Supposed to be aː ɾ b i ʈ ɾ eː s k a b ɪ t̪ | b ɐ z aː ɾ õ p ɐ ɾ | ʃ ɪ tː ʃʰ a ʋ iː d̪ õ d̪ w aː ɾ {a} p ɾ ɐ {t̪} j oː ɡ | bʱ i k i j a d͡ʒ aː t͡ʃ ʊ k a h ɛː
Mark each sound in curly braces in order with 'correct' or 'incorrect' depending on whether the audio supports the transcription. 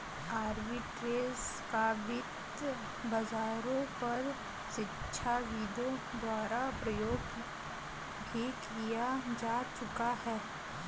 correct, incorrect: none

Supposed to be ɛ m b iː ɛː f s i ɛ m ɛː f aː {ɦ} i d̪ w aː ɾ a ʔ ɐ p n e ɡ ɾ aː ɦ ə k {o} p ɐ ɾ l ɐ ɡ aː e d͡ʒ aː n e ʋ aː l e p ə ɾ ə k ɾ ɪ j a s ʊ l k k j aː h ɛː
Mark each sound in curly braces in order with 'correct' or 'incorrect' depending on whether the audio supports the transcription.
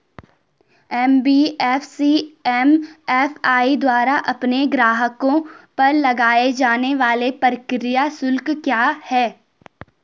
incorrect: none, incorrect: õ

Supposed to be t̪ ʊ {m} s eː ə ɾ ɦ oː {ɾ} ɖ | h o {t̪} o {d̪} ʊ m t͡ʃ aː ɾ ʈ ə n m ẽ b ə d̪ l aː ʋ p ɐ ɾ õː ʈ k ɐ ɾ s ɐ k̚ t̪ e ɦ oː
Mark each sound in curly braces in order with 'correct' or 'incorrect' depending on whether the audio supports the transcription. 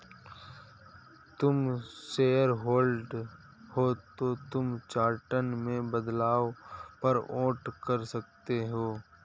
correct, incorrect: l, correct, incorrect: t̪

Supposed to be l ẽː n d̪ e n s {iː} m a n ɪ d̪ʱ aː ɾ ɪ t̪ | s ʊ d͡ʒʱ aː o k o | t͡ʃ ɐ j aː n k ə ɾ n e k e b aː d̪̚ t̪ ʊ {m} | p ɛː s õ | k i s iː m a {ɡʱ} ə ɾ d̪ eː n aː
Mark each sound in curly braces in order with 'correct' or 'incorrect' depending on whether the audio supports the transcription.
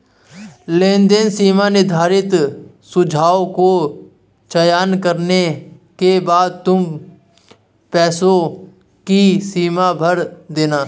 correct, correct, incorrect: bʱ

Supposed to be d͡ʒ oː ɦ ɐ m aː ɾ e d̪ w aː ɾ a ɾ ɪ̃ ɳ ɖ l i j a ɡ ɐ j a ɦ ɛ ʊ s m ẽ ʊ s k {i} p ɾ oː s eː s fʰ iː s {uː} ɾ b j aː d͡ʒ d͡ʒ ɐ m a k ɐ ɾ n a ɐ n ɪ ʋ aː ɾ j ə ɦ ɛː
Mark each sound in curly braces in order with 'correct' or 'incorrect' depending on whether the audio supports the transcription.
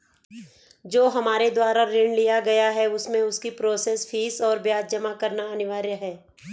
correct, incorrect: ɔː

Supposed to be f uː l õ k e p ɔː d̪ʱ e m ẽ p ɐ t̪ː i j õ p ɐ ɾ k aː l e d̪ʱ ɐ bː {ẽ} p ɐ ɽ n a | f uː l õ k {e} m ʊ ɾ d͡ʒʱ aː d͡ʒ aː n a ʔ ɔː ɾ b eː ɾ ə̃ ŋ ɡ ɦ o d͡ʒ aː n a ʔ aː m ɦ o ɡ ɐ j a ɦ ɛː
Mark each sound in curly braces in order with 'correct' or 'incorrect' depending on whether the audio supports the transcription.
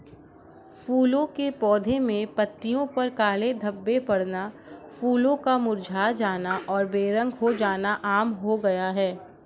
incorrect: e, incorrect: a

